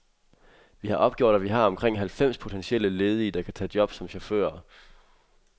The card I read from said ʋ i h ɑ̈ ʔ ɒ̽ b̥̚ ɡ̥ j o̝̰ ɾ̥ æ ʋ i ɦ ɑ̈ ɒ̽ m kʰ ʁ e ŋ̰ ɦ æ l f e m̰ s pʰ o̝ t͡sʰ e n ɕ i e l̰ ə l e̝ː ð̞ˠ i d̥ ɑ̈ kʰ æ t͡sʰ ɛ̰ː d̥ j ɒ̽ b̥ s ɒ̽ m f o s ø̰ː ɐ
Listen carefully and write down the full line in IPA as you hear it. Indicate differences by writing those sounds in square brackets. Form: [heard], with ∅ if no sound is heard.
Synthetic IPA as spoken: ʋ i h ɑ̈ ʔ ɒ̽ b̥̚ ɡ̥ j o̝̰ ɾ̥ æ ʋ i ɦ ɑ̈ ɒ̽ m kʰ ʁ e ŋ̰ ɦ æ l f e m̰ s pʰ o̝ t͡sʰ e n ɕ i e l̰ ə l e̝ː ð̞ˠ i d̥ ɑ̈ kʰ æ t͡sʰ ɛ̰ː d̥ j ɒ̽ b̥ s ɒ̽ m [ɕ] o [f] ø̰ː ɐ